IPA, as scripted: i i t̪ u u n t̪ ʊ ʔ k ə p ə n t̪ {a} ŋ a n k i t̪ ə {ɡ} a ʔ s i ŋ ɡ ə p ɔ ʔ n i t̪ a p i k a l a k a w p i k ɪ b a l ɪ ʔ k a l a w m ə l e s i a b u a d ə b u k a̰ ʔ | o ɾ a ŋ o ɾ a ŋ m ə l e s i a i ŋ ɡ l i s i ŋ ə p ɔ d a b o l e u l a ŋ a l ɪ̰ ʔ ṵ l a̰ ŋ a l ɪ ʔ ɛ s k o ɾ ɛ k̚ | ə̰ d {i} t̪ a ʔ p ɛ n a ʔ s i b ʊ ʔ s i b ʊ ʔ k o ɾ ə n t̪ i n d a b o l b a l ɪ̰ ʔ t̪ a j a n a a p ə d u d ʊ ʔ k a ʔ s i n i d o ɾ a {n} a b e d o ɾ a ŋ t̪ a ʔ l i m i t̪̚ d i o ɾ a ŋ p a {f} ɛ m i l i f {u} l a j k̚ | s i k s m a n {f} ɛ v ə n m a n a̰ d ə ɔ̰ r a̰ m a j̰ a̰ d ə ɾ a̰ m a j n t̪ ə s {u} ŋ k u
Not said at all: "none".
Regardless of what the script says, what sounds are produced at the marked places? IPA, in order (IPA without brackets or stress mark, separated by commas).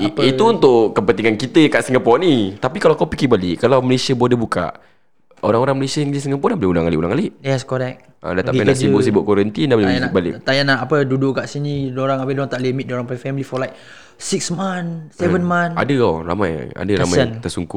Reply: i, k, a, ŋ, f, ɔ, s, u